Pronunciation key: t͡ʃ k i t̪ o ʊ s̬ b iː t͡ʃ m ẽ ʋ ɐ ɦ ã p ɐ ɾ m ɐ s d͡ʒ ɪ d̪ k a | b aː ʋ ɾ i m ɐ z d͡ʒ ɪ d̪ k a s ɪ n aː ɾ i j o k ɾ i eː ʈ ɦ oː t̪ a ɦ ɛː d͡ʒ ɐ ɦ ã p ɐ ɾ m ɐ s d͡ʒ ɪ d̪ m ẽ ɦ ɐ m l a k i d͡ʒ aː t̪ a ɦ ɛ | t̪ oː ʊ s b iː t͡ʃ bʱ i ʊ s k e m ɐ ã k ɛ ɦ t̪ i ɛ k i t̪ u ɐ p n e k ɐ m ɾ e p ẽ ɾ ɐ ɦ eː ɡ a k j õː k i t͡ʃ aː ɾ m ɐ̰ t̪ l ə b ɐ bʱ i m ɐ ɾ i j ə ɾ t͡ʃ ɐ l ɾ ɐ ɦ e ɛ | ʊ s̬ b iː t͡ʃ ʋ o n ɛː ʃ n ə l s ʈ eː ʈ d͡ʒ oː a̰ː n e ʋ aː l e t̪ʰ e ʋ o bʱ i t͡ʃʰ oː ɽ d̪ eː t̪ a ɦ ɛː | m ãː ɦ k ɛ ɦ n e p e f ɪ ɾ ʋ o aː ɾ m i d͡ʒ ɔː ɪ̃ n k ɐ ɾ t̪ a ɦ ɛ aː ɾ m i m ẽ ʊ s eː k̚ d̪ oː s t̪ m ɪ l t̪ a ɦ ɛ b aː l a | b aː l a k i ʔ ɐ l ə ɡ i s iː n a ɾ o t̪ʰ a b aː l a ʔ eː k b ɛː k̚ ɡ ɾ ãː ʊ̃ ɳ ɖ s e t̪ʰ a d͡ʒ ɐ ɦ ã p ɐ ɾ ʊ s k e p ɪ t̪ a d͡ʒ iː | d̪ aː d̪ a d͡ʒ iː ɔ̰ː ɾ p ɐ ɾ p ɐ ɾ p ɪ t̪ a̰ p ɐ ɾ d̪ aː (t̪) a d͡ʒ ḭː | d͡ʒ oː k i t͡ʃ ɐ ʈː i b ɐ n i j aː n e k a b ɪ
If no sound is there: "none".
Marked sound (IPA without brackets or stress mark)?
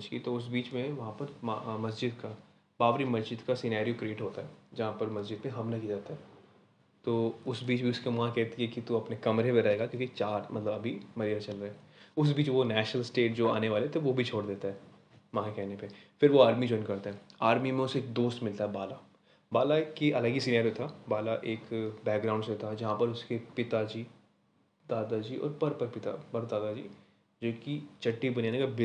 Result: d̪